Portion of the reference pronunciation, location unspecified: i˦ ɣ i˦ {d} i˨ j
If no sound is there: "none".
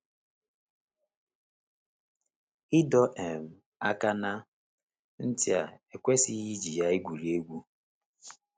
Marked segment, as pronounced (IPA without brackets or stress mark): d͡ʒ